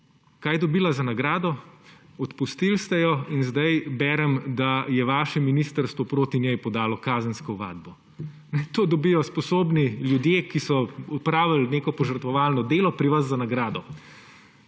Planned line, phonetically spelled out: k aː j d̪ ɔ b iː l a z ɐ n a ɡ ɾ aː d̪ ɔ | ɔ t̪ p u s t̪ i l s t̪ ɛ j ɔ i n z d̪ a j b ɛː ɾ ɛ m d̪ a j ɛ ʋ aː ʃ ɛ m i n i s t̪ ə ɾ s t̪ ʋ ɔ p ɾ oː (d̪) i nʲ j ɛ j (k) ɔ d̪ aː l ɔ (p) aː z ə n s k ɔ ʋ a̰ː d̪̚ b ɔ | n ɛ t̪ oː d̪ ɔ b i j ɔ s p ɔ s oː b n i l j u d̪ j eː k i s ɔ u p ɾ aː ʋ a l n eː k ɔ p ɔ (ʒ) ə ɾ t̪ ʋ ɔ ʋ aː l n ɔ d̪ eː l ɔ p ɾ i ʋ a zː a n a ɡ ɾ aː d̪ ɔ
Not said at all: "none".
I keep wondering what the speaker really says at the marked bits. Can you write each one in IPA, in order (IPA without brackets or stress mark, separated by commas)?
t̪, p, k, ʒ